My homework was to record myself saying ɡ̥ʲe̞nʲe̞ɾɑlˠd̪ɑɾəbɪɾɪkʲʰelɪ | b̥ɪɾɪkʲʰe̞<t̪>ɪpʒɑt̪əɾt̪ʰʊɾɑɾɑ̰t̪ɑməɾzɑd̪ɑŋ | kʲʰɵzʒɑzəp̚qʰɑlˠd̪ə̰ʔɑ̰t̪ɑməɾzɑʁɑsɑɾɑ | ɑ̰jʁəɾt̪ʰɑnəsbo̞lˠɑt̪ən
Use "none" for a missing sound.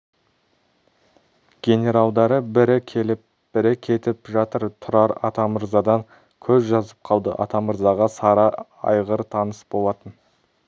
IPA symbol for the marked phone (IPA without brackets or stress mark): t̪